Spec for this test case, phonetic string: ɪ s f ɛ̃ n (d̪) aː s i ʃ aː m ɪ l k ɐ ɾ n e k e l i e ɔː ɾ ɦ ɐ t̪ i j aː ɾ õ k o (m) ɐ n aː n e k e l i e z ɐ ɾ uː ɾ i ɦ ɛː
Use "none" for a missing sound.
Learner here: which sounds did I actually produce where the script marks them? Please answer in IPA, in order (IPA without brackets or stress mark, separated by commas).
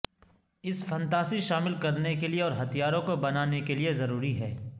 t̪, b